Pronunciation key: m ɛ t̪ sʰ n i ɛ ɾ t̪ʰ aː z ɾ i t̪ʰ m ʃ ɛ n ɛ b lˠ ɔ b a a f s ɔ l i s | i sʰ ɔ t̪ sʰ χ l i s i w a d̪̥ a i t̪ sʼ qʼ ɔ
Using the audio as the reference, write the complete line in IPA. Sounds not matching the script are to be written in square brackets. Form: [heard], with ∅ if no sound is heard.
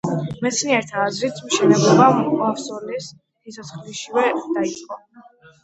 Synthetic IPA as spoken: m ɛ t̪ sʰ n i ɛ ɾ t̪ʰ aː z ɾ i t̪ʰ m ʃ ɛ n ɛ b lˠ ɔ b a a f s ɔ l i s | i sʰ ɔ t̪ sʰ χ l i [ʃ] i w [ɛ] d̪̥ a i t̪ sʼ qʼ ɔ